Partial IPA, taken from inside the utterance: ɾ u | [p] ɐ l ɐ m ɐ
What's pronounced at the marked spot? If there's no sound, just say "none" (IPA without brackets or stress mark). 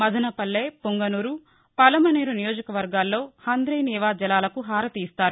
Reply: p